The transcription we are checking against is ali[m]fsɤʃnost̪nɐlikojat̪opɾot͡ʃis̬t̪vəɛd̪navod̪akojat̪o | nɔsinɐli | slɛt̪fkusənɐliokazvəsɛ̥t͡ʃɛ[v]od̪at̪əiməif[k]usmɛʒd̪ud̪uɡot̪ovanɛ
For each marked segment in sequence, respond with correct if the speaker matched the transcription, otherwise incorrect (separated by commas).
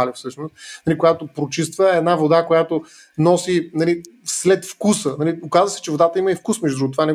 incorrect, correct, correct